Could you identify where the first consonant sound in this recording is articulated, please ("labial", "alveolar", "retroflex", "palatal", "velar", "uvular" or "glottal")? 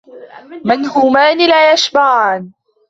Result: labial